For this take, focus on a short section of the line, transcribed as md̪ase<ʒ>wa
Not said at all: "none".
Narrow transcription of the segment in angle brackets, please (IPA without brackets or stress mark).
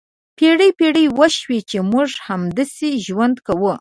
ʒ